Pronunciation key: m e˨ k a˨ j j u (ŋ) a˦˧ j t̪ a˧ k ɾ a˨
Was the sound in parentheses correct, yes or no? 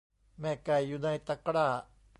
no